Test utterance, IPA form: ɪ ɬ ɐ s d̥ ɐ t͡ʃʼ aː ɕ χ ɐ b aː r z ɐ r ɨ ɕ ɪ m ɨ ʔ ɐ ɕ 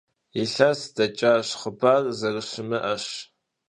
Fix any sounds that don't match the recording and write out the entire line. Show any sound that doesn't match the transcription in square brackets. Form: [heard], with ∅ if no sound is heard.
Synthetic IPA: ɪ ɬ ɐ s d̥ ɐ t͡ʃʼ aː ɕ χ [ə] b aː r z ɐ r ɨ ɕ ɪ m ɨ ʔ ɐ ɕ